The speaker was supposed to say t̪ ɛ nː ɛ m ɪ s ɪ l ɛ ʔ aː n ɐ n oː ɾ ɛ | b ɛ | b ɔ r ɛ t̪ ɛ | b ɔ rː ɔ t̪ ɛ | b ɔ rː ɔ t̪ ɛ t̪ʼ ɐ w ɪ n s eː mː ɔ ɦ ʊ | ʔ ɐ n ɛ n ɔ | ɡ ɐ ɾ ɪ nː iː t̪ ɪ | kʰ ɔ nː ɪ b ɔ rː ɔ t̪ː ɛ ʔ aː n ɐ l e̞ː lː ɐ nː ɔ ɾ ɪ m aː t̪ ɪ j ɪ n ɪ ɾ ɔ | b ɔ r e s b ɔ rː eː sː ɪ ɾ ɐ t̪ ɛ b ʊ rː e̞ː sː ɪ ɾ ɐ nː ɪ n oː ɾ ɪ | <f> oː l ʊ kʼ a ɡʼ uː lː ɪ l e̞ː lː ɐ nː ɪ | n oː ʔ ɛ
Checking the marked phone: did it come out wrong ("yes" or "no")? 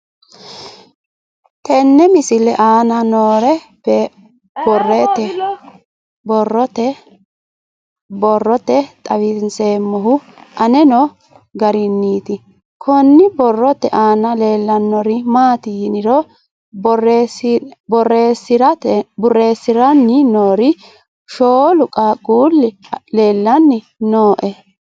yes